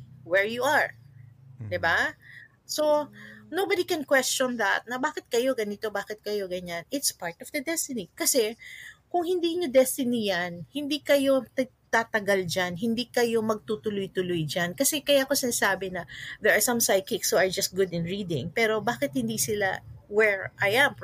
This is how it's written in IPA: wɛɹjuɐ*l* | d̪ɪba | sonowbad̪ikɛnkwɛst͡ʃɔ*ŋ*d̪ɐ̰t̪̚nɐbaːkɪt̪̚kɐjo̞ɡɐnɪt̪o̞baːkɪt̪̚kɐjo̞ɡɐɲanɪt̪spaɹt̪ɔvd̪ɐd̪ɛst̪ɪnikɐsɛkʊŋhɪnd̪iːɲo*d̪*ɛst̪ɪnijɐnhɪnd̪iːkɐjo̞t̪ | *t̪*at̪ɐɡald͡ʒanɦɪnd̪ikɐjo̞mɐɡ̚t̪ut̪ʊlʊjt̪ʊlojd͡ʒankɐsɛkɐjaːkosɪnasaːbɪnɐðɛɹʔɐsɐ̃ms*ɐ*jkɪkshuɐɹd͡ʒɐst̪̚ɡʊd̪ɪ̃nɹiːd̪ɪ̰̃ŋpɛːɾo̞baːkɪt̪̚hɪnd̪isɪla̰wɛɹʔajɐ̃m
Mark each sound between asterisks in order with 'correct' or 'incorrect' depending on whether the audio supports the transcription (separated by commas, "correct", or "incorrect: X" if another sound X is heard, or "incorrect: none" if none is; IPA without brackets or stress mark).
incorrect: ɹ, incorrect: n, correct, correct, incorrect: a